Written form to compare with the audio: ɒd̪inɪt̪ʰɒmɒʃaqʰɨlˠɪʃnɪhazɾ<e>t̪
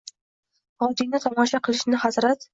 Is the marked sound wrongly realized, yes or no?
yes